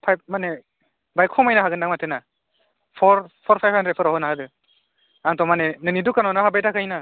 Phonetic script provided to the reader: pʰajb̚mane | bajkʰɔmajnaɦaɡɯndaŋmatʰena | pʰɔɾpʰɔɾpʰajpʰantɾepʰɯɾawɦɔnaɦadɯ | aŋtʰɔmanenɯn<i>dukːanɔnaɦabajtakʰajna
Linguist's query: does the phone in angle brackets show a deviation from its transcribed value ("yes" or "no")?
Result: no